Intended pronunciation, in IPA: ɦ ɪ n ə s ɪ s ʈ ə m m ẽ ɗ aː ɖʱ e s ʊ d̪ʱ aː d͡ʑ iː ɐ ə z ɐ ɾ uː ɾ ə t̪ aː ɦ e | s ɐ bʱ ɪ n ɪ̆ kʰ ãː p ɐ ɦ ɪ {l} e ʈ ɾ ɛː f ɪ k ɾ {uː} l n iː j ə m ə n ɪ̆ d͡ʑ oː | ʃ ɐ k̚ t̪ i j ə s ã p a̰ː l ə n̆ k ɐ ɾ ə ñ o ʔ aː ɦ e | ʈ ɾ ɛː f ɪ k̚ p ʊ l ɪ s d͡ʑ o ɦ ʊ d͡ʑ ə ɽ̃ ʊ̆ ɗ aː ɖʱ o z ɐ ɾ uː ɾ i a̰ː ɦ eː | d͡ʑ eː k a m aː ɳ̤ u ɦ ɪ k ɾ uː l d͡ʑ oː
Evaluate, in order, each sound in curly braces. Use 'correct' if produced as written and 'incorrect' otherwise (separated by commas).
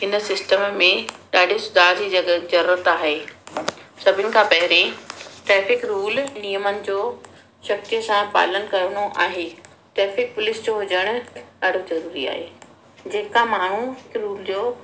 incorrect, correct